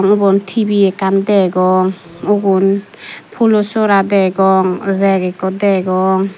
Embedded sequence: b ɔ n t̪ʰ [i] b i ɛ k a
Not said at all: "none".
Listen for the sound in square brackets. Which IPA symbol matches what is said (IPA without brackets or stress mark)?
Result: i